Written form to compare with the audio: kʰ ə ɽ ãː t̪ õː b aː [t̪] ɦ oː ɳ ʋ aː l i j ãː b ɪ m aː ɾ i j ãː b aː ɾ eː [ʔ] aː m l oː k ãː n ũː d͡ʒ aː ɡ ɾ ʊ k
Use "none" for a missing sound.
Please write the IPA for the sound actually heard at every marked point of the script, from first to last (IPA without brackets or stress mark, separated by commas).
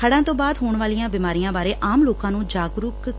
d̪, ʔ